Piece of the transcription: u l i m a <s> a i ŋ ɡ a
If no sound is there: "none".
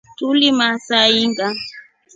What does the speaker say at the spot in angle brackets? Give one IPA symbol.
s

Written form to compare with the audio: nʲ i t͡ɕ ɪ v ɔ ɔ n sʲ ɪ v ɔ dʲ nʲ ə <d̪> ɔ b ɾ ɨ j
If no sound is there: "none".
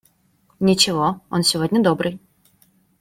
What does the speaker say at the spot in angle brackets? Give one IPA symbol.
d̪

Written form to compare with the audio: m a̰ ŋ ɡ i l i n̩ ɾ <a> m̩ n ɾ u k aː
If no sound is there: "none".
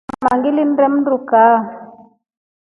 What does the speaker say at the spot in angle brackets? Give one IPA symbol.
ɛ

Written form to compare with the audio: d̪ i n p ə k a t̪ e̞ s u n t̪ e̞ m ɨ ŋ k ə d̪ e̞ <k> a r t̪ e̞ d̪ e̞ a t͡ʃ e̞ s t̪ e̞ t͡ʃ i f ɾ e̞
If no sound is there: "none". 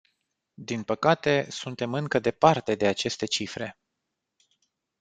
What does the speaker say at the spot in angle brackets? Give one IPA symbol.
p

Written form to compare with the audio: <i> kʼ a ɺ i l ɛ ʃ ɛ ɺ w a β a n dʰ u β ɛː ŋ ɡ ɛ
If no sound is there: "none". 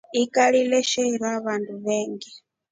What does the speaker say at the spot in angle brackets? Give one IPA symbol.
i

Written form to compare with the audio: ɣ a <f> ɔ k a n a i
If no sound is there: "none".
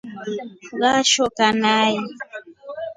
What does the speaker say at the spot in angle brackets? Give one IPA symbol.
ʃ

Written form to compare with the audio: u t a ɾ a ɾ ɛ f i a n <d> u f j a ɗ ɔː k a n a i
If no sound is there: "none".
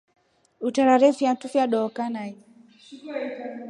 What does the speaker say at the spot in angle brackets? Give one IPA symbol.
t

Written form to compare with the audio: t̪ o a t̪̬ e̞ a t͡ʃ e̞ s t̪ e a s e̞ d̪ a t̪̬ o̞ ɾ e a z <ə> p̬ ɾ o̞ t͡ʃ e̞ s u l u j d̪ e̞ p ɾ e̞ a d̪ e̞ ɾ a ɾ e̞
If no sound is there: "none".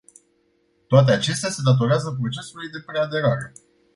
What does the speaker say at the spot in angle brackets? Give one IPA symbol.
ə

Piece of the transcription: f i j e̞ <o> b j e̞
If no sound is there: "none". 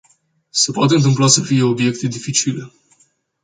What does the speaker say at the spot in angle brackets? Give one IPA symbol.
o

